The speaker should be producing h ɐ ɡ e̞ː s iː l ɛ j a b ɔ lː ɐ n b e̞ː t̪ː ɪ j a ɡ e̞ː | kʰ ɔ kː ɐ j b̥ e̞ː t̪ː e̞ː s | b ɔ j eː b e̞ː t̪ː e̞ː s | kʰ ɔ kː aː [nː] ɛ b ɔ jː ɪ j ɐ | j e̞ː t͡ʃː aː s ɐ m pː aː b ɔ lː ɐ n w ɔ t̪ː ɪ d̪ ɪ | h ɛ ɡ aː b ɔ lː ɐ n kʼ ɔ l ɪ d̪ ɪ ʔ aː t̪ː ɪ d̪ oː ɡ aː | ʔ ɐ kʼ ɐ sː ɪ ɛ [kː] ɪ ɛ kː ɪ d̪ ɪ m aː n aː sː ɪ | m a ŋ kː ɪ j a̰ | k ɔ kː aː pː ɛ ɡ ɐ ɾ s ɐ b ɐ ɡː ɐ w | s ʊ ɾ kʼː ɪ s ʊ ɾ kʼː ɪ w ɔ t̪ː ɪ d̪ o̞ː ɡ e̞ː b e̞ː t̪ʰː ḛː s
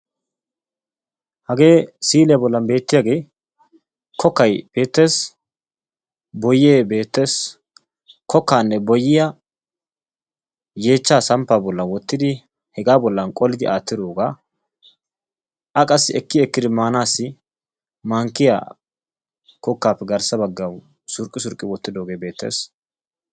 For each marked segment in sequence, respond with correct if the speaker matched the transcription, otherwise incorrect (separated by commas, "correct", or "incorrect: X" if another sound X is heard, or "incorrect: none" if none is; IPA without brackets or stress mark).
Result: correct, correct